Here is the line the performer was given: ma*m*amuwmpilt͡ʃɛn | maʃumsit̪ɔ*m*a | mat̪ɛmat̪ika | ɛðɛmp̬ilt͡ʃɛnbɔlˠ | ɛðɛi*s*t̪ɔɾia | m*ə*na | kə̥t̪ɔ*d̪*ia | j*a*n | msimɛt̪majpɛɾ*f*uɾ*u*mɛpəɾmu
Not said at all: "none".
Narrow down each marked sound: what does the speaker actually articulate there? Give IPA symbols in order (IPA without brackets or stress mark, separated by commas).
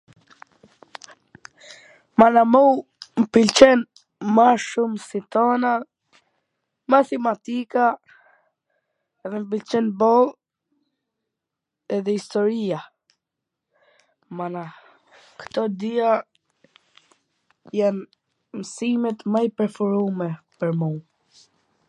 n, n, s, a, d̪, a, f, u